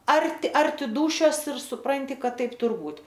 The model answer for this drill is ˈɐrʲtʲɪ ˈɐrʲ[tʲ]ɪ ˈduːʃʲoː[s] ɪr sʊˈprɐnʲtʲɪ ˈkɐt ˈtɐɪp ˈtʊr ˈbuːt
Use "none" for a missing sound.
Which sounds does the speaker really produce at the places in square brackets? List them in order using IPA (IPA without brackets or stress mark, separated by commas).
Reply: tʲ, s